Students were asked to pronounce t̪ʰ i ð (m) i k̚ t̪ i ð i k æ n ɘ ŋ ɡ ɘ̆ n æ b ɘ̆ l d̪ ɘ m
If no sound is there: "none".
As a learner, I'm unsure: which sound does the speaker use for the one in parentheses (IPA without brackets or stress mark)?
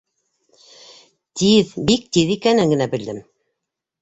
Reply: b